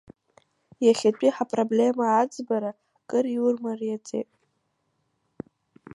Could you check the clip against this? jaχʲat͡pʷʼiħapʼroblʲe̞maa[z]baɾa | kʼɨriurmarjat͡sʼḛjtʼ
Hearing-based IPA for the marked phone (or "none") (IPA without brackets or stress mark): d͡z